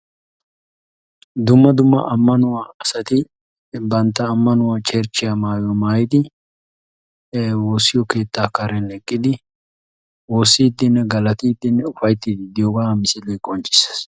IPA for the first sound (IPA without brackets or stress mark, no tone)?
d̪